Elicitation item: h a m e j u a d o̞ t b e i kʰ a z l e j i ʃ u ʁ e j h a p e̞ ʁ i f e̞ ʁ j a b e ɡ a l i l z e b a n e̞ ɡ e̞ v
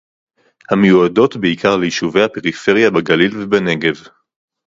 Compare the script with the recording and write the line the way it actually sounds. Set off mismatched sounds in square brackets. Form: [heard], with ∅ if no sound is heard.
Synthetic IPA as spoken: h a m e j u a d o̞ t b e i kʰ a [ʁ] l e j i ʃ u [v] e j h a p e̞ ʁ i f e̞ ʁ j a b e ɡ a l i l [v] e b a n e̞ ɡ e̞ v